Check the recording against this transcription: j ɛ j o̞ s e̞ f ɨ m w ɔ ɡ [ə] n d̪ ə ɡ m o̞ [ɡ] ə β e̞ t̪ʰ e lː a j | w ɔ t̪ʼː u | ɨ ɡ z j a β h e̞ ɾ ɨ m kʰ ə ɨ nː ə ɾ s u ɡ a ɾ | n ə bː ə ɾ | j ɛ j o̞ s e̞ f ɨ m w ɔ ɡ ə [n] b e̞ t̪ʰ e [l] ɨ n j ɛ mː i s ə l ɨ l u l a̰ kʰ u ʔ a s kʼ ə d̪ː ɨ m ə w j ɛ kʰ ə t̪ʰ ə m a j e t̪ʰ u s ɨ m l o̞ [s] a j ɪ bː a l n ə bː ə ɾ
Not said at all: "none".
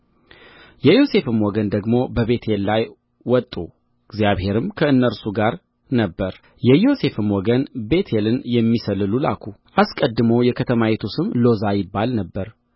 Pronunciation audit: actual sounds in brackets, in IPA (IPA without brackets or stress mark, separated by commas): ə, b, n, l, z